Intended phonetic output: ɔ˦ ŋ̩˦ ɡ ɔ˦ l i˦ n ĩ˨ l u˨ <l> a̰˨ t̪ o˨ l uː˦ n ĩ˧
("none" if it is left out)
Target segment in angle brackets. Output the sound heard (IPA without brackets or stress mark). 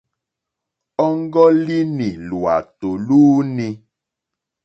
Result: none